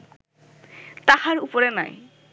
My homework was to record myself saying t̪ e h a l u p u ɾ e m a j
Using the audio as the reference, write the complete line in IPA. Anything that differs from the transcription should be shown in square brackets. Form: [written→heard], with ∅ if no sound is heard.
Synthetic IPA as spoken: t̪ [e→a] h a [l→ɾ] u p [u→o] ɾ e [m→n] a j